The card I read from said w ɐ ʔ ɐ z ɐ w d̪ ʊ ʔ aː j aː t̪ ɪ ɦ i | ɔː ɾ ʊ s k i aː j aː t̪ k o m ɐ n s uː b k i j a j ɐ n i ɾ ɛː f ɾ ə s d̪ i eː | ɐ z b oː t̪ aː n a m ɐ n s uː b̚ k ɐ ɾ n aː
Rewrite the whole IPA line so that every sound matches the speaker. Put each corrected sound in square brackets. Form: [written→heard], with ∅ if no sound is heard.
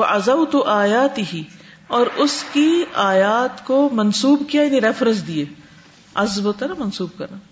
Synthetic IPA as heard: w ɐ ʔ ɐ z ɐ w [d̪→t̪] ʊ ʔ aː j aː t̪ ɪ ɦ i | ɔː ɾ ʊ s k i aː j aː t̪ k o m ɐ n s uː b k i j a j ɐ n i ɾ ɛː f ɾ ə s d̪ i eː | ɐ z b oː t̪ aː n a m ɐ n s uː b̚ k ɐ ɾ n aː